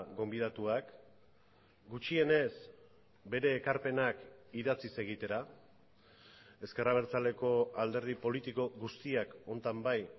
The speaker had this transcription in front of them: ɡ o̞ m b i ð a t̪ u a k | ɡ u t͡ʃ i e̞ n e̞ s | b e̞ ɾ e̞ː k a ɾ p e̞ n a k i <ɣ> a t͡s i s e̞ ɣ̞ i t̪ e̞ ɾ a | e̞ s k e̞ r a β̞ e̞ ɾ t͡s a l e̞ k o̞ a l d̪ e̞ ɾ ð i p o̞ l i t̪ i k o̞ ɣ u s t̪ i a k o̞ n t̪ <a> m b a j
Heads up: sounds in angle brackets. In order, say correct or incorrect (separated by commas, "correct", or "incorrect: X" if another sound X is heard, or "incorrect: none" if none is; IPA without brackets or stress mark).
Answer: incorrect: ð, correct